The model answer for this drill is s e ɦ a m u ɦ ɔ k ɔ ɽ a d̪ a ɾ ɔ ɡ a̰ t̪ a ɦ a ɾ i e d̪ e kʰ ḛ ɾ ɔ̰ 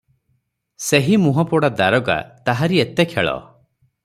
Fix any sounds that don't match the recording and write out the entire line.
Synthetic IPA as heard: s e ɦ i m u ɦ ɔ p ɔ ɽ a d̪ a ɾ ɔ ɡ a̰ t̪ a ɦ a ɾ i e t̪ e kʰ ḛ ɭ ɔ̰